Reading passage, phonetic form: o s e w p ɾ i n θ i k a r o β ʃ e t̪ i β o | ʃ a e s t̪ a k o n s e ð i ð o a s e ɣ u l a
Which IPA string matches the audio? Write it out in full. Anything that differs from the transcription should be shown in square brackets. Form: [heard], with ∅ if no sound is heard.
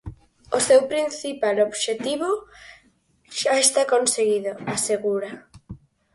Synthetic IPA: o s e w p ɾ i n θ i [p] a [l] o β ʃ e t̪ i β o | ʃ a e s t̪ a k o n s e [ɣ] i ð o a s e ɣ u [ɾ] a